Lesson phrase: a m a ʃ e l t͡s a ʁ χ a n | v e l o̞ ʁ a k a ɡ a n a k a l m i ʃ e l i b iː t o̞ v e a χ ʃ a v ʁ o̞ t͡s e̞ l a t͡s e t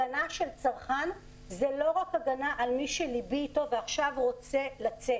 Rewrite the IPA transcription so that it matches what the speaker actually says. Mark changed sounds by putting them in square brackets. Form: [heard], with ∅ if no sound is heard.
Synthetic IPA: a [n] a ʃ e l t͡s a ʁ χ a n | [z] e l o̞ ʁ a k a ɡ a n a [ʔ] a l m i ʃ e l i b iː t o̞ v e a χ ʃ a v ʁ o̞ t͡s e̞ l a t͡s e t